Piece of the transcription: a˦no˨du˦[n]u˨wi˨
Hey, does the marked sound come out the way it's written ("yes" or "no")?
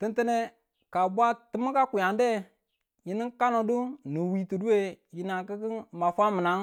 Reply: yes